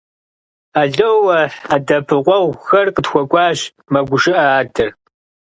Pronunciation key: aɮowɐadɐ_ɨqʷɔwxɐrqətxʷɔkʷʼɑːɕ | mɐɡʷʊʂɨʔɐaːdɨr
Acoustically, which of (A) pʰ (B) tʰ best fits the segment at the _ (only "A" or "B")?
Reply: A